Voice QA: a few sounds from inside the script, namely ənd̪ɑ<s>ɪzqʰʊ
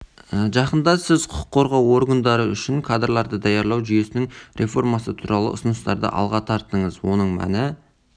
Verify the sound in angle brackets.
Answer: correct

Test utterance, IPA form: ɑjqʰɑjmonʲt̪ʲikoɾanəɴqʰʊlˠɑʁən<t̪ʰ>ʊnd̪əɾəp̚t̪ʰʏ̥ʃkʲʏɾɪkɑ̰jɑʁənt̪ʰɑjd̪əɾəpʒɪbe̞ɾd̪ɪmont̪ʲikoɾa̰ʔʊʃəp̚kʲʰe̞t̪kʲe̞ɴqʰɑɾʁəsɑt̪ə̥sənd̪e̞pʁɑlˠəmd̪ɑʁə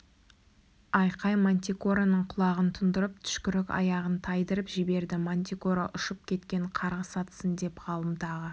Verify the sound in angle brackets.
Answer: correct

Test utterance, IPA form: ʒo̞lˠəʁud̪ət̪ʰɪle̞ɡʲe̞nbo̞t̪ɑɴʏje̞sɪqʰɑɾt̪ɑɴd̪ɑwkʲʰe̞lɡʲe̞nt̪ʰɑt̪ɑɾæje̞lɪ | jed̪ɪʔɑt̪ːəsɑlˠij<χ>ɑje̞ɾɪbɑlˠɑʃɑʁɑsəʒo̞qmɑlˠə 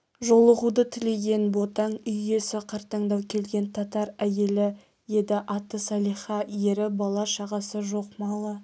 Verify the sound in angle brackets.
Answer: correct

